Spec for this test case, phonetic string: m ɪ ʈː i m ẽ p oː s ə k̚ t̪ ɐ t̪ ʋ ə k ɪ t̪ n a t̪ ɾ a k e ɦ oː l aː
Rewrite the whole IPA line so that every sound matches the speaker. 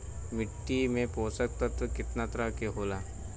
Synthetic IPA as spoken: m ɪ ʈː i m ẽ p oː s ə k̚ t̪ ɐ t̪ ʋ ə k ɪ t̪ n a t̪ ɾ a k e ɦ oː l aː